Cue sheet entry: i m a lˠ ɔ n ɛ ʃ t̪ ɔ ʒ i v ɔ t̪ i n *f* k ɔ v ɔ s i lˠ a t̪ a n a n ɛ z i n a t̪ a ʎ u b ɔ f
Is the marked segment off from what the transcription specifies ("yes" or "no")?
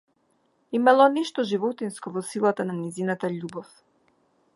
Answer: yes